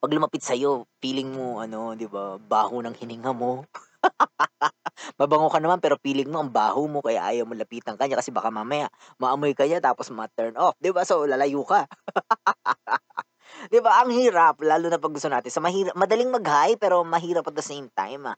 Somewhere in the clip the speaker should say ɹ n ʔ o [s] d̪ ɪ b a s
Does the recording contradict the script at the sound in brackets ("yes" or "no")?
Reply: yes